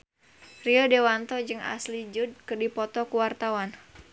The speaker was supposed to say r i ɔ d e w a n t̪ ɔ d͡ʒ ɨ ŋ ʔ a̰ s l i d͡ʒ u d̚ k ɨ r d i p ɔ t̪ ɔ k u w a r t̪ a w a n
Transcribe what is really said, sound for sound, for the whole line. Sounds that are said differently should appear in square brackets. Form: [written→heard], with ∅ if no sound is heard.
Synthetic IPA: r i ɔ d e w a n t̪ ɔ d͡ʒ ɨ ŋ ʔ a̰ s l i d͡ʒ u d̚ k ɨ r d i p ɔ t̪ ɔ k u w a r t̪ a w a n